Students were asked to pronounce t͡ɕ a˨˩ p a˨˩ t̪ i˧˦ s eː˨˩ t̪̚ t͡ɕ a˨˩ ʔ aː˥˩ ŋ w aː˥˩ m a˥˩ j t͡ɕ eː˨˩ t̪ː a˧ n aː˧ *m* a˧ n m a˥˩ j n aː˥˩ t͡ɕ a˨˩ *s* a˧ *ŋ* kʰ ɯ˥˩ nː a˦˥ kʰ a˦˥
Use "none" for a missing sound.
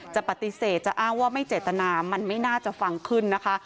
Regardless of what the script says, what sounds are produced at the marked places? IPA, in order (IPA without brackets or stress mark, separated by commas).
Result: m, f, ŋ